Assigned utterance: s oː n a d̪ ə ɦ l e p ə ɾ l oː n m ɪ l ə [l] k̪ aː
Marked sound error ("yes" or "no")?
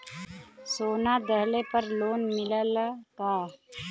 no